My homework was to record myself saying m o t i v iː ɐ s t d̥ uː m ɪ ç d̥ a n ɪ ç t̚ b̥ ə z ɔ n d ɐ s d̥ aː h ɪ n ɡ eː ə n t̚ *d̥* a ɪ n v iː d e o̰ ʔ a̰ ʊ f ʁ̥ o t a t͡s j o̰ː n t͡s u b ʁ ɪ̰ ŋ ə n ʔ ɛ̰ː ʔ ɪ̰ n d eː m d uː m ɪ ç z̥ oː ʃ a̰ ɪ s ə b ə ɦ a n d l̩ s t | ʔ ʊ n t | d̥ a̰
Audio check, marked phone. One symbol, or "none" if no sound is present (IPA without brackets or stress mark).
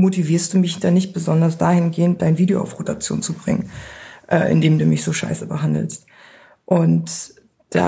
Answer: d̥